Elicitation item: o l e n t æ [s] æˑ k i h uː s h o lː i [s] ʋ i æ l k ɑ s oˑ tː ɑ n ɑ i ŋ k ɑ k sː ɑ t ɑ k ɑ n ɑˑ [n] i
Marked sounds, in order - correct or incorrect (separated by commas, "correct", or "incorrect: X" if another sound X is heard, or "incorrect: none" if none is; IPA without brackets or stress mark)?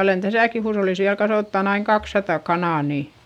correct, correct, correct